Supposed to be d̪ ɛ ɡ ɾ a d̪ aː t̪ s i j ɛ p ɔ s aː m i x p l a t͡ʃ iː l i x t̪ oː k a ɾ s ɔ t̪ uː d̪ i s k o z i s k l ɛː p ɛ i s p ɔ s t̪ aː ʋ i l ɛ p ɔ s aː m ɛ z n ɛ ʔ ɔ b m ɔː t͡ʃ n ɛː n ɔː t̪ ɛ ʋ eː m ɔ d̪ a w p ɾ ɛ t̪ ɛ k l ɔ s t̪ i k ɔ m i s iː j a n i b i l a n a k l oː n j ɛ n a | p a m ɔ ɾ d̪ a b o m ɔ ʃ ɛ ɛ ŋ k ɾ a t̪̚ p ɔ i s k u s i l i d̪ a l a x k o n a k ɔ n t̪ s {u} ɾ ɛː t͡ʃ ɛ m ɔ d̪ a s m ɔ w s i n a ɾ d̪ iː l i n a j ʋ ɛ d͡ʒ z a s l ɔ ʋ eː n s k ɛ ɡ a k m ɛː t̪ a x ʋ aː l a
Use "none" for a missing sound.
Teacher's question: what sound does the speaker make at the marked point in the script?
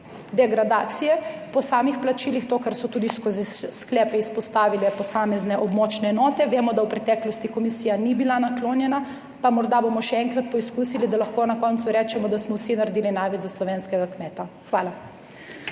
u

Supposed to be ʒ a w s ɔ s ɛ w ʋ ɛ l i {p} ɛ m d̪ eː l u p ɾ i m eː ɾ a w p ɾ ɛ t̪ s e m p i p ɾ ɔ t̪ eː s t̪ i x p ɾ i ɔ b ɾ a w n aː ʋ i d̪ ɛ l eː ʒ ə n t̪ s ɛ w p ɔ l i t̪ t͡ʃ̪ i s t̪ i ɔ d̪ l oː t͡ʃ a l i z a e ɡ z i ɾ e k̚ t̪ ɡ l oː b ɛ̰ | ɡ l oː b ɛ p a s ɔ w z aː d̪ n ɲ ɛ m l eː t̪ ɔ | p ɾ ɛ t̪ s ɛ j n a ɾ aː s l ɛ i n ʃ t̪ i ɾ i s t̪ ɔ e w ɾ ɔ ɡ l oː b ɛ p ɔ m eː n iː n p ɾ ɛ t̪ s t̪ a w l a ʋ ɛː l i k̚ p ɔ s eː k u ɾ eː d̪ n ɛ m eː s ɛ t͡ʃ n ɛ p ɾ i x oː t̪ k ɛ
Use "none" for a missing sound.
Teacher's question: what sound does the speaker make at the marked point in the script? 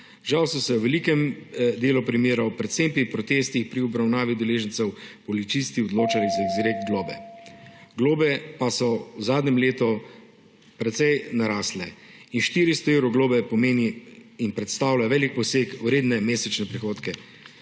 k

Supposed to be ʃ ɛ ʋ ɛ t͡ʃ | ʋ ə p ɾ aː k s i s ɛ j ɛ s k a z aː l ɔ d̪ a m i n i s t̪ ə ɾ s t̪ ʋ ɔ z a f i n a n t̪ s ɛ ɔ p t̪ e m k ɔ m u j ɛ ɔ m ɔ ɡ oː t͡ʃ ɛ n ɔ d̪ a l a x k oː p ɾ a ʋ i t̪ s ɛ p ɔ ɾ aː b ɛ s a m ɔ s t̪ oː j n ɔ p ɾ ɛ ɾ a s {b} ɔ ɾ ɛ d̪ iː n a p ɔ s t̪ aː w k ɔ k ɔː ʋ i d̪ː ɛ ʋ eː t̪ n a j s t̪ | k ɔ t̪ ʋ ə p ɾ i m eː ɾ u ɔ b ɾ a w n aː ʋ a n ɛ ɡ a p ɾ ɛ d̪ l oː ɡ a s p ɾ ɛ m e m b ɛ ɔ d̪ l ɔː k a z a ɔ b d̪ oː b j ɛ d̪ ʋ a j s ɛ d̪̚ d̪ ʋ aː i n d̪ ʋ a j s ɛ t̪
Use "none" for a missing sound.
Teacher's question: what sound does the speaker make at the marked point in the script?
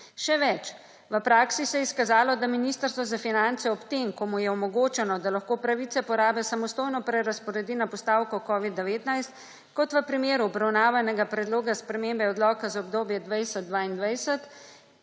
p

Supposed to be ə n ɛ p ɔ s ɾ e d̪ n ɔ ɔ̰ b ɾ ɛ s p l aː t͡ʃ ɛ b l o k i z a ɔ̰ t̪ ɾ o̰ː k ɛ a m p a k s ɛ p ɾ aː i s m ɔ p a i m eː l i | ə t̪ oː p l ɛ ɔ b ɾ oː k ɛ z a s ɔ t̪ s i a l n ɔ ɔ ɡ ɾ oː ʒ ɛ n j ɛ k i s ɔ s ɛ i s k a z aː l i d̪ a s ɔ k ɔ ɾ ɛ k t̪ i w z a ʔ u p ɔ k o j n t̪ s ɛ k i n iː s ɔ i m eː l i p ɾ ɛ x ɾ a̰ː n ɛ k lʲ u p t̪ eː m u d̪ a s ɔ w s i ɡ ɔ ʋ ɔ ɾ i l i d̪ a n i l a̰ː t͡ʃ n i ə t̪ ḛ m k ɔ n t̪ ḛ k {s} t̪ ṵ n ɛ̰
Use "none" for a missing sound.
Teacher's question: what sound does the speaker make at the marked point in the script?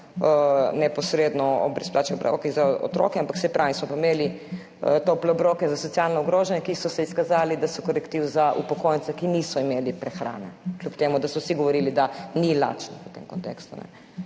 s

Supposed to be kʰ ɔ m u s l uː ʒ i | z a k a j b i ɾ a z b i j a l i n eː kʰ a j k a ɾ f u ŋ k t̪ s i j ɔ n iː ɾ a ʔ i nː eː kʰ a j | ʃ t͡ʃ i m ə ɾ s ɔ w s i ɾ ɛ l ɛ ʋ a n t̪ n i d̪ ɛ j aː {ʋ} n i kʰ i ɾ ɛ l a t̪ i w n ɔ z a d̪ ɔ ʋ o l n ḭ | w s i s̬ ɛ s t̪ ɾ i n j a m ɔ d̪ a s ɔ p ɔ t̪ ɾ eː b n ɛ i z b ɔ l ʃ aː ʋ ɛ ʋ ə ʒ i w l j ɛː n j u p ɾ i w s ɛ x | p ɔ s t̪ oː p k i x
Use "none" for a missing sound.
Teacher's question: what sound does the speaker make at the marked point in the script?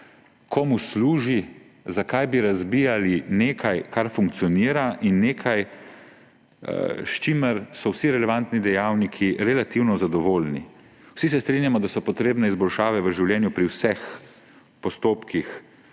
w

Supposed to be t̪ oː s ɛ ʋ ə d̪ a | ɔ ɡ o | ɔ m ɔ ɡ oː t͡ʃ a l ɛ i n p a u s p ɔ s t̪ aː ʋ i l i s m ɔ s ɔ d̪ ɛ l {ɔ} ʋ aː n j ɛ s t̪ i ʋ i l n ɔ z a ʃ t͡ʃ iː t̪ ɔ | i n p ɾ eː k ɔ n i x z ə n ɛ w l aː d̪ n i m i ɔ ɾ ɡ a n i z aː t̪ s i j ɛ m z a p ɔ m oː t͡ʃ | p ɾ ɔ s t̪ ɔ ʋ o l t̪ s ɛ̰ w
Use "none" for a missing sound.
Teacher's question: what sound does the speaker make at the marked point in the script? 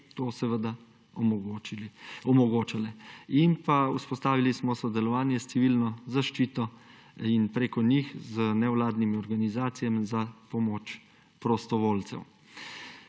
ɔ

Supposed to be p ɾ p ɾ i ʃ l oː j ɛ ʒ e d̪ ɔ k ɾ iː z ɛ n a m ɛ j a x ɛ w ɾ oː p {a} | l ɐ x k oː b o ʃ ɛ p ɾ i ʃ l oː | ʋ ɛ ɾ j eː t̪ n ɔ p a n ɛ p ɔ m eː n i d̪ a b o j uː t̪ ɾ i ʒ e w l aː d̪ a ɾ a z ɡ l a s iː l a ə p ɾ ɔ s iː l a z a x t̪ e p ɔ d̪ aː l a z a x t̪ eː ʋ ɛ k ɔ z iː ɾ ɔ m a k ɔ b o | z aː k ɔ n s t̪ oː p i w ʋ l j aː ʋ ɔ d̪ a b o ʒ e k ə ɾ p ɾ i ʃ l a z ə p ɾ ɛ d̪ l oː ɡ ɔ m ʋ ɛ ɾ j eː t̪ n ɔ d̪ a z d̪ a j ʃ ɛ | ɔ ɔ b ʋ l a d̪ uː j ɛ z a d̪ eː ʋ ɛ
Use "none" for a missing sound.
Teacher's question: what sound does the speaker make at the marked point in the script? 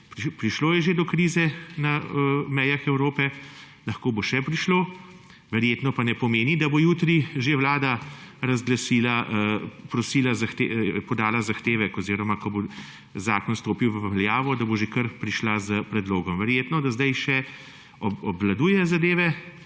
ɛ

